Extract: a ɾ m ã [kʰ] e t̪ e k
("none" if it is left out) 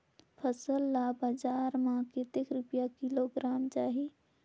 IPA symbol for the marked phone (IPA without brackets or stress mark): k